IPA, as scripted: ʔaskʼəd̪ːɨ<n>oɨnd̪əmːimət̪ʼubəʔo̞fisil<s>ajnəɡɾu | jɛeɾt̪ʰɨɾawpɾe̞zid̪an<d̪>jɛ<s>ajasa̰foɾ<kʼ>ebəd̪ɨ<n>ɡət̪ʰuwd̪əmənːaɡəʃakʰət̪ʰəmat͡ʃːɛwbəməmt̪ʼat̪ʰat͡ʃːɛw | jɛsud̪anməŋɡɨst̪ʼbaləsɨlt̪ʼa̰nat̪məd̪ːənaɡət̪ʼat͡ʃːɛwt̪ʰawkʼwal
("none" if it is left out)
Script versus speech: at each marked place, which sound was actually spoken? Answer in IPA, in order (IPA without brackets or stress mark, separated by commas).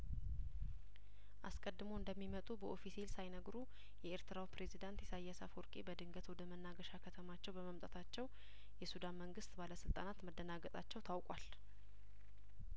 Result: m, s, t̪, s, kʼ, ŋ